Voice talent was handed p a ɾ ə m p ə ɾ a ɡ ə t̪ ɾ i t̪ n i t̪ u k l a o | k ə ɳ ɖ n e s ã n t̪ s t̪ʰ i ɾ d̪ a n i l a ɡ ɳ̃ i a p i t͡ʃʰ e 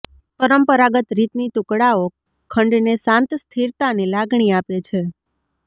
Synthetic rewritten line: p ə ɾ ə m p ə ɾ a ɡ ə t̪ ɾ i t̪ n i t̪ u k ɽ a o | kʰ ə ɳ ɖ n e s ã n t̪ s t̪ʰ i ɾ t̪ a n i l a ɡ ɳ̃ i a p e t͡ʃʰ e